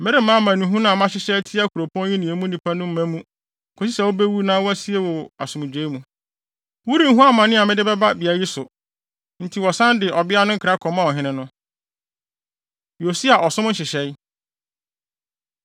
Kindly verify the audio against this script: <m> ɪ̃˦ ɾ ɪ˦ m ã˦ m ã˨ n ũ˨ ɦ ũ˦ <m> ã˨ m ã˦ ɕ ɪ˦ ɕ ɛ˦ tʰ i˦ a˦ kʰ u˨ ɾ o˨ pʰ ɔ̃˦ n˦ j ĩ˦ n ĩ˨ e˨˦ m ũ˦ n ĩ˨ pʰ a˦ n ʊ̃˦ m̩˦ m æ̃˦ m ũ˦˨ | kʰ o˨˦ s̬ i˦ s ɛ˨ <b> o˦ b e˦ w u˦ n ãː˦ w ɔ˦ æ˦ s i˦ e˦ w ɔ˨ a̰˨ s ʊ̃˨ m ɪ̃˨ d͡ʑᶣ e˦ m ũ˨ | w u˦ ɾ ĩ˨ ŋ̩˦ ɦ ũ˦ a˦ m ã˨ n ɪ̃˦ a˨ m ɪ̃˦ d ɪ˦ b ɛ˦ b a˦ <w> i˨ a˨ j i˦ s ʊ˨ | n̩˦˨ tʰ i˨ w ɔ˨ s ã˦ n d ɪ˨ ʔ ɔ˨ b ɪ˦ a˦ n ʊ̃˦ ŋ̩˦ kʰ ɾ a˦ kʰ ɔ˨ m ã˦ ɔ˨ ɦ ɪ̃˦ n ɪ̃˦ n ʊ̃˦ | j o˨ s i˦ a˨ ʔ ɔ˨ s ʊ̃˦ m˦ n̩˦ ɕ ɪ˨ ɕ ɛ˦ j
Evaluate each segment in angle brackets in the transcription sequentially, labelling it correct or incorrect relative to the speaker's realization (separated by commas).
correct, incorrect, incorrect, incorrect